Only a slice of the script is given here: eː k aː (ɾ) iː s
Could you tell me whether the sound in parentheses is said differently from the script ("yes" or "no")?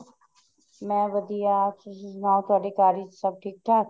no